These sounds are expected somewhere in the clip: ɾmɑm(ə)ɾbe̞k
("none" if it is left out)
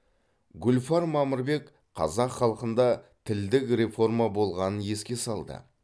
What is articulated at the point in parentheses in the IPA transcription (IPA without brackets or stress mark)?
ə